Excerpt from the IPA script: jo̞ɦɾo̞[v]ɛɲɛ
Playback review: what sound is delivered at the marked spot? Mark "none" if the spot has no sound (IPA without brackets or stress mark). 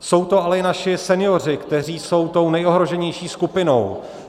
ʒ